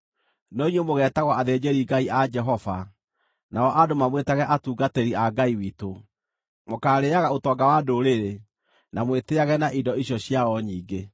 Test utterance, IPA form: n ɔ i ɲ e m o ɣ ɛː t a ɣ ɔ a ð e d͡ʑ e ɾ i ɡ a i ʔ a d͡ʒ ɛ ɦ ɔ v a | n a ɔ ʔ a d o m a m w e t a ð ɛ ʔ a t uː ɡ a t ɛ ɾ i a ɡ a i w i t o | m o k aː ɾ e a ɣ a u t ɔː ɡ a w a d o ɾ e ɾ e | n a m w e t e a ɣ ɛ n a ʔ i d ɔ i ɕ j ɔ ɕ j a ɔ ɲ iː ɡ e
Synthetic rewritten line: n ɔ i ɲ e m o ɣ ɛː t a ɣ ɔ a ð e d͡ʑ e ɾ i ɡ a i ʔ a d͡ʒ ɛ ɦ ɔ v a | n a ɔ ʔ a d o m a m w e t a ɣ ɛ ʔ a t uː ɡ a t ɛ ɾ i a ɡ a i w i t o | m o k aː ɾ e a ɣ a o t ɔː ɡ a w a d o ɾ e ɾ e | n a m w e t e a ɣ ɛ n a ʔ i d ɔ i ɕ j ɔ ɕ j a ɔ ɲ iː ɡ e

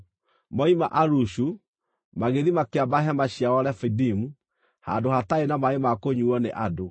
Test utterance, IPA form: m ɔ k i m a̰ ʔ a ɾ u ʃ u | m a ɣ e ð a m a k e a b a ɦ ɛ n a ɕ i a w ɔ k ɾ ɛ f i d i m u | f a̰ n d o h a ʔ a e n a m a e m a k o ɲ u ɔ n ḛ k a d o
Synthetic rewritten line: m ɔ i m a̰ ʔ a ɾ u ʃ u | m a ɣ e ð i m a k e a b a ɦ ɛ m a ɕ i a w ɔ ɾ ɛ f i d i m u | h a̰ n d o h a t a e n a m a e m a k o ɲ u ɔ n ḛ ʔ a d o

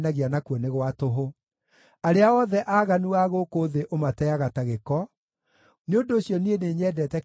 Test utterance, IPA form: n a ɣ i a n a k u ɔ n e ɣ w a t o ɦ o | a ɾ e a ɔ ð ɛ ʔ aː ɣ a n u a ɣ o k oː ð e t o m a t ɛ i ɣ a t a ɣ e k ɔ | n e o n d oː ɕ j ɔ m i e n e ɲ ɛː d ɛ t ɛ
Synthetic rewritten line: n a ɣ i a n a k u ɔ n e ɣ w a t o ɦ o | a ɾ e a ɔ ð ɛ ʔ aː ɣ a n u a ɣ o k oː ð e ʔ o m a t ɛ a ɣ a t a ɣ e k ɔ | n e o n d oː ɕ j ɔ n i e n e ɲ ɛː d ɛ t ɛ

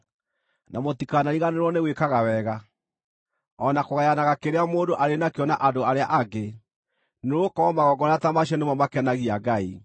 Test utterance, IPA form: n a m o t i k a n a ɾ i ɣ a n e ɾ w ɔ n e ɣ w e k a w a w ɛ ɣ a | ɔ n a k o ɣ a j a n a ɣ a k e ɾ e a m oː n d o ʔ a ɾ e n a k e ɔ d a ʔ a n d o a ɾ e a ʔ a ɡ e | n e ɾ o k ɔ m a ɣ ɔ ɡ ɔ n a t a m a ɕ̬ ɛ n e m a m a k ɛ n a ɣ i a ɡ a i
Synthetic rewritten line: n a m o t i k a n a ɾ i ɣ a n e ɾ w ɔ n e ɣ w e k a ɣ a w ɛ ɣ a | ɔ n a k o ɣ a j a n a ɣ a k e ɾ e a m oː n d o ʔ a ɾ e n a k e ɔ n a ʔ a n d o a ɾ e a ʔ a ɡ e | n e ɾ o k ɔ m a ɣ ɔ ɡ ɔ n a t a m a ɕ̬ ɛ n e m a m a k ɛ n a ɣ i a ɡ a i

